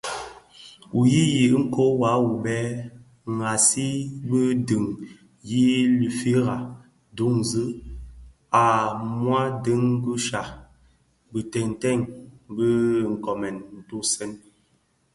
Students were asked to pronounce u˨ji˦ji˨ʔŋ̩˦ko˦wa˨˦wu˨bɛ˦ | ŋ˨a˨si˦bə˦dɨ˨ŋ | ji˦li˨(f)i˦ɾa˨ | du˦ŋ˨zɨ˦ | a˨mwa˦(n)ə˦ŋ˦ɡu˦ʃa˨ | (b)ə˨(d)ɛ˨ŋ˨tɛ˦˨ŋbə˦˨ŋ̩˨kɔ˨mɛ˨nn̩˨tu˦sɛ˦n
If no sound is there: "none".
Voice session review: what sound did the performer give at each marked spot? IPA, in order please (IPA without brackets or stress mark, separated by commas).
f, d, b, t